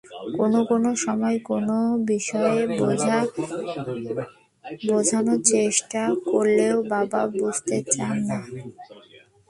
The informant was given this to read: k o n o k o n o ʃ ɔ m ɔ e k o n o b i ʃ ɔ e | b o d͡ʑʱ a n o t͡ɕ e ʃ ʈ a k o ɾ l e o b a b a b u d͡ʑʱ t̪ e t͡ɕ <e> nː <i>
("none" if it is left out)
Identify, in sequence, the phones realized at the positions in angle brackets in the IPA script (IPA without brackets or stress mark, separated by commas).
a, a